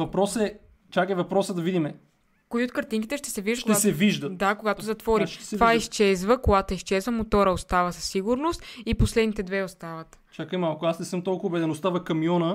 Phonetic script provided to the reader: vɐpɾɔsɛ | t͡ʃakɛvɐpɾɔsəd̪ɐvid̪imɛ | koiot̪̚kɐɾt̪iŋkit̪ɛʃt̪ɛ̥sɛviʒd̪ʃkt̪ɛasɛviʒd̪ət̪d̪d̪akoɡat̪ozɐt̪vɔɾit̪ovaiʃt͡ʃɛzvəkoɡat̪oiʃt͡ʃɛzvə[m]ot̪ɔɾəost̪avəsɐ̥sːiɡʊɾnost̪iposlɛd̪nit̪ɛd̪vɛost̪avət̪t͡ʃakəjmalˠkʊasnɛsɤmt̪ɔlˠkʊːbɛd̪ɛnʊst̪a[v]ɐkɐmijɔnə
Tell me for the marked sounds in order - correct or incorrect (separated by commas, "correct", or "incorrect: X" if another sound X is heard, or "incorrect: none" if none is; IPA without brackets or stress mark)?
correct, correct